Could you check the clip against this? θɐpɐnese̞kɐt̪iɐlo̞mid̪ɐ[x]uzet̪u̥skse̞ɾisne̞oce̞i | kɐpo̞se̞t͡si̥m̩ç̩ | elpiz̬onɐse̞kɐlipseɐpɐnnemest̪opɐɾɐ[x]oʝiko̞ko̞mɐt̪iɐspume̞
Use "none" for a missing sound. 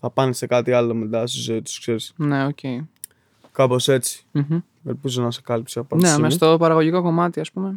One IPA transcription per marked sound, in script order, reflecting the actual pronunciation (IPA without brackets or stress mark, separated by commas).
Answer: s, ɣ